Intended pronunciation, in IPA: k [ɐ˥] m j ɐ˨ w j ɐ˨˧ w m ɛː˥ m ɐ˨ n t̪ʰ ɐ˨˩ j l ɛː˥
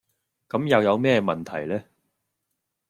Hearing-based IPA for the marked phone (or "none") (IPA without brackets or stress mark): ɐ˨˥